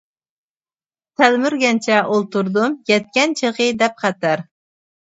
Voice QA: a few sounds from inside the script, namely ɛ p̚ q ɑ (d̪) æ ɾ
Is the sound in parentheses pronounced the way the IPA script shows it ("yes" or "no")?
no